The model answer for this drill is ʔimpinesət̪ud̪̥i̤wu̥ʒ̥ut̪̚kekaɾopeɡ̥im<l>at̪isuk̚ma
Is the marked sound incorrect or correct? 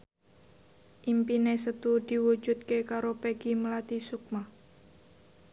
correct